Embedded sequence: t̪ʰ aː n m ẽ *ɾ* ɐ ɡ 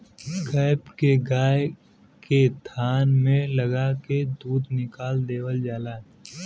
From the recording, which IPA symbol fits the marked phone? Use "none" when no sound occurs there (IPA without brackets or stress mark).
l